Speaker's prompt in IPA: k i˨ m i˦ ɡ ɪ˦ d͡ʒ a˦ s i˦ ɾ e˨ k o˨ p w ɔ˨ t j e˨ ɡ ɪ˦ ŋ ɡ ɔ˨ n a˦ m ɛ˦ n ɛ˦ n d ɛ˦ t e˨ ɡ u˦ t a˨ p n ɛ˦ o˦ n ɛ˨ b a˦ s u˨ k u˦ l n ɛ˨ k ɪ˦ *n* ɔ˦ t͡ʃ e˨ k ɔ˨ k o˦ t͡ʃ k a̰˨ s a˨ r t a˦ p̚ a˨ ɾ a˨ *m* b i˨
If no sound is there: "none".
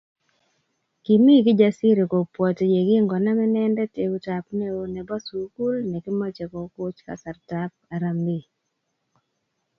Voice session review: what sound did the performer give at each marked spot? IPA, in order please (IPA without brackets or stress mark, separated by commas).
m, m